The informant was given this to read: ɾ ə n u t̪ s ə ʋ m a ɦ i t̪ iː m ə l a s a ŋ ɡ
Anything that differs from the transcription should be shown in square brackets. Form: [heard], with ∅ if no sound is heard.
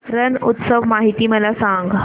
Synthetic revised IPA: ɾ ə n u t̪ s ə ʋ m a ɦ i t̪ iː m ə l a s a ŋ ɡ